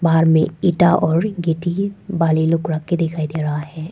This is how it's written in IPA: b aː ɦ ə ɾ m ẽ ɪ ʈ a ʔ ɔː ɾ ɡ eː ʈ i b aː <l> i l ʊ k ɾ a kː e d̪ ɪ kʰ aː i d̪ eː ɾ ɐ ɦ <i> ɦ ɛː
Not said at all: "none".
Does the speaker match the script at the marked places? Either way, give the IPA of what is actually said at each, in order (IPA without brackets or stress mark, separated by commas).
l, a